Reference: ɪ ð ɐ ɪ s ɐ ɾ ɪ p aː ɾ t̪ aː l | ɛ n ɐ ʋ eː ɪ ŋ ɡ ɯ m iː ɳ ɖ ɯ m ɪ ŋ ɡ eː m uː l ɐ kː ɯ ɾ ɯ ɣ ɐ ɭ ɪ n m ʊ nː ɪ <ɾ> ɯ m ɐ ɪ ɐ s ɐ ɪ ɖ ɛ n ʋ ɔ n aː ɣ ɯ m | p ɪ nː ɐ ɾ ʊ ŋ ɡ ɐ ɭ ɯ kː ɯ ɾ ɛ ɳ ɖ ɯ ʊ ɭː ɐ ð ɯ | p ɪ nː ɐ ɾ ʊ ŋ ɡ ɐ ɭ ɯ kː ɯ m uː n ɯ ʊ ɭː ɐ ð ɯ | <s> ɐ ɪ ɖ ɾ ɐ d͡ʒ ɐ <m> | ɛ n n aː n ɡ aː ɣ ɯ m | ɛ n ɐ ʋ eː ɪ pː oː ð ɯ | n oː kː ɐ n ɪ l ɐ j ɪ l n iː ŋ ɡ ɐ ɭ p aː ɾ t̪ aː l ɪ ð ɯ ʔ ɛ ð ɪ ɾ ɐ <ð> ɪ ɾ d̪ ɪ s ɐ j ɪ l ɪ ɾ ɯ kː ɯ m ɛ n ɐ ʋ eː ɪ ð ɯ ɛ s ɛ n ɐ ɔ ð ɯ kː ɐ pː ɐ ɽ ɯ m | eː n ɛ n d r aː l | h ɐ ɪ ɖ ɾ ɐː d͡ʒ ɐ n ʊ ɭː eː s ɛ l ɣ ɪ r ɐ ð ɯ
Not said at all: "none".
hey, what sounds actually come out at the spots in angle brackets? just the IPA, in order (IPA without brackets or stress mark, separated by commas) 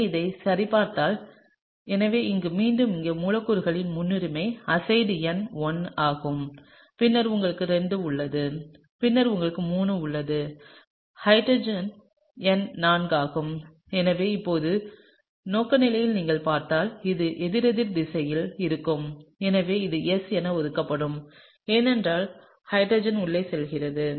ɾ, h, n, ð